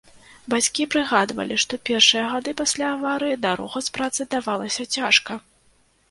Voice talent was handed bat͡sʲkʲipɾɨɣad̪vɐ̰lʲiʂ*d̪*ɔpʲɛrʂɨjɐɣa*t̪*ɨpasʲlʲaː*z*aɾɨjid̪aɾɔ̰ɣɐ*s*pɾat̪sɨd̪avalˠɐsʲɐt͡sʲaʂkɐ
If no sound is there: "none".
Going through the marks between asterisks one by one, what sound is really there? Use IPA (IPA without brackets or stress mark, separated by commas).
t̪, d̪, v, s